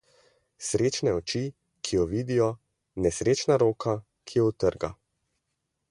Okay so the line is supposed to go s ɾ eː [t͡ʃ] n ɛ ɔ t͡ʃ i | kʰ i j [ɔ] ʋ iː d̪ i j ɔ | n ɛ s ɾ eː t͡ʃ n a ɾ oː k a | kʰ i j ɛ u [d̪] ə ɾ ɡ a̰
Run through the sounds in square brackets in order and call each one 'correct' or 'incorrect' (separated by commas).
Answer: correct, correct, incorrect